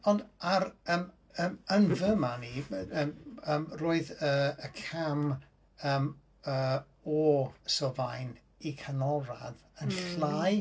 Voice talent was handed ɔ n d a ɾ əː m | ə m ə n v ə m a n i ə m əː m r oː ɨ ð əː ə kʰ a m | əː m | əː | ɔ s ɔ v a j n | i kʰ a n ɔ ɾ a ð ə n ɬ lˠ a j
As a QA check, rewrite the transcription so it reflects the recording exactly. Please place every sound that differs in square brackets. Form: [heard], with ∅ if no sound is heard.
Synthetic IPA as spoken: ɔ n d a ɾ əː m | ə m ə n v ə m a n i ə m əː m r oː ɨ ð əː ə kʰ a m | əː m | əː | ɔ s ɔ v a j n | i kʰ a n ɔ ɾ a ð ə n ɬ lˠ a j